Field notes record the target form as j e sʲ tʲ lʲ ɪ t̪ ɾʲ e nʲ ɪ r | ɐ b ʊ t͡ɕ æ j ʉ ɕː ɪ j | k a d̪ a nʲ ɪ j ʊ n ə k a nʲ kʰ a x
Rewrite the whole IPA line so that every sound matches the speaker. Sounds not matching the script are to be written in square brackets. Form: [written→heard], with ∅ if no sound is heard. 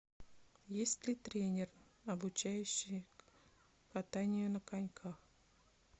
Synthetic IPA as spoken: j e sʲ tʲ lʲ ɪ t̪ ɾʲ e nʲ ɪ r | ɐ b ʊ t͡ɕ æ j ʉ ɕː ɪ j | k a [d̪→t̪] a nʲ ɪ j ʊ n ə k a nʲ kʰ a x